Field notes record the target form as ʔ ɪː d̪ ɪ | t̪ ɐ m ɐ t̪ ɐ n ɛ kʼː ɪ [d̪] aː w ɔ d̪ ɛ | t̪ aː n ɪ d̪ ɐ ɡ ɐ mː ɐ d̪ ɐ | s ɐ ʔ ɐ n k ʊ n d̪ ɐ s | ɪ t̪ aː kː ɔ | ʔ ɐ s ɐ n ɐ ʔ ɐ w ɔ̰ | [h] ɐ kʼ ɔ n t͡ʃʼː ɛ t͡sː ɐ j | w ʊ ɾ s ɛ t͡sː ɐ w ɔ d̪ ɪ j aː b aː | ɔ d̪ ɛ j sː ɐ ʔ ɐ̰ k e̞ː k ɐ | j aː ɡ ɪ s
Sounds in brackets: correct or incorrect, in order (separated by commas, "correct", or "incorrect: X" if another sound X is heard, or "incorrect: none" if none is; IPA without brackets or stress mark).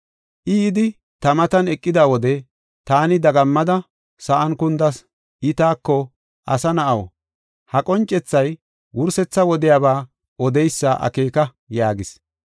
correct, correct